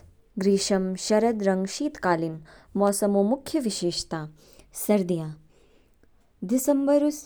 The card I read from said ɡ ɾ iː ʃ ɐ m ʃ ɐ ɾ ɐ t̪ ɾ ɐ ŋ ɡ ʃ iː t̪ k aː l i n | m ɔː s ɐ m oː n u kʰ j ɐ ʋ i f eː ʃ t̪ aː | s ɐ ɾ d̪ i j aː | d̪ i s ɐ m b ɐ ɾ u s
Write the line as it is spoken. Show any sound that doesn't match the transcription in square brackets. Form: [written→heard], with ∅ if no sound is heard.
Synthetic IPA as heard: ɡ ɾ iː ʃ ɐ m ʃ ɐ ɾ ɐ [t̪→d̪] ɾ ɐ ŋ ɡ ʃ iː t̪ k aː l i n | m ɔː s ɐ m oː [n→m] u kʰ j ɐ ʋ i [f→ʃ] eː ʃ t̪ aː | s ɐ ɾ d̪ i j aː | d̪ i s ɐ m b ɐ ɾ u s